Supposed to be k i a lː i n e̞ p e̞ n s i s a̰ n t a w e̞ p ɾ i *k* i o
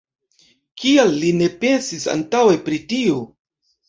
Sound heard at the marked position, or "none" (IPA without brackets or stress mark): t